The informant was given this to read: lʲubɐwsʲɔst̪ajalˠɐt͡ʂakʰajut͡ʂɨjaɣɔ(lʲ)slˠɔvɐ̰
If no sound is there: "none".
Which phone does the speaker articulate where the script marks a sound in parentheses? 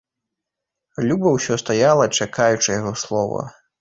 none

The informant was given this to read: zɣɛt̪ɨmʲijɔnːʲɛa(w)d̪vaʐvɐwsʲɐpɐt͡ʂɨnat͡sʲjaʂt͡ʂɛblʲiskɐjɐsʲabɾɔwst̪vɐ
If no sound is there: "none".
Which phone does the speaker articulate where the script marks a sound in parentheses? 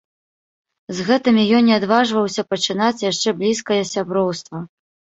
none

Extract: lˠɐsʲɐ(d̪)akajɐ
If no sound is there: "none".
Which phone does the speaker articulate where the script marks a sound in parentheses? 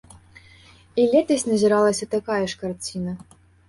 t̪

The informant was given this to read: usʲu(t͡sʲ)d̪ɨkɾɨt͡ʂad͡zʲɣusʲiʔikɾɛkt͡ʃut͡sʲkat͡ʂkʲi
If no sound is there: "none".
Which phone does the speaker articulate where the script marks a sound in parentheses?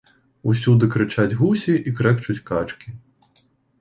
none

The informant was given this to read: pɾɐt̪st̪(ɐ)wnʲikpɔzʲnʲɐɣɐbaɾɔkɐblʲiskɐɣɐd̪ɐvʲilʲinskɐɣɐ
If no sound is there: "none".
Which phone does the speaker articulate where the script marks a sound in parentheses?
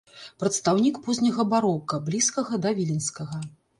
a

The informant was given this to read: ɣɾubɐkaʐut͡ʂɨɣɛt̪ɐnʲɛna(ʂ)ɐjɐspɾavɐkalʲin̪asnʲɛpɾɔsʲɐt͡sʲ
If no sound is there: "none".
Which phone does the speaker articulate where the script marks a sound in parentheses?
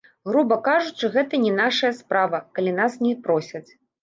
ʂ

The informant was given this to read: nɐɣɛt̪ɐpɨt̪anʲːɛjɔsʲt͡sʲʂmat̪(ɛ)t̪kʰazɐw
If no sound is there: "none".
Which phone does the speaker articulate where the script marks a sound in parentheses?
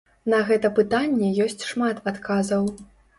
a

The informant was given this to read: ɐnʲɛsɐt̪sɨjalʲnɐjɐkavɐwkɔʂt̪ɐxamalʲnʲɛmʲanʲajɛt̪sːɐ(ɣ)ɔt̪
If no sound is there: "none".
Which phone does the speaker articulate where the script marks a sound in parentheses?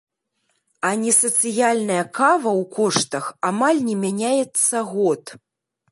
ɣ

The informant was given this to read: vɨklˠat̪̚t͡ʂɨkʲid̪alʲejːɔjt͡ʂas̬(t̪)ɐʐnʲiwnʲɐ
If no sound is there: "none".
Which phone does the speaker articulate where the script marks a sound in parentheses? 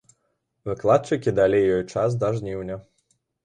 d̪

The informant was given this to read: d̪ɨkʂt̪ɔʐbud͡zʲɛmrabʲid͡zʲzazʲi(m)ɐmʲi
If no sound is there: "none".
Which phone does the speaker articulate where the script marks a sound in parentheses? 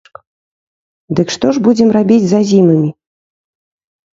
m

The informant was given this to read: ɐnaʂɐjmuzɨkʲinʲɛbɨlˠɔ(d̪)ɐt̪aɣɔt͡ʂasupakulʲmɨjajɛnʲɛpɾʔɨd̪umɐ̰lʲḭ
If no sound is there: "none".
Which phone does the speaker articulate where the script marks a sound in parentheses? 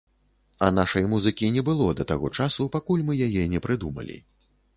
d̪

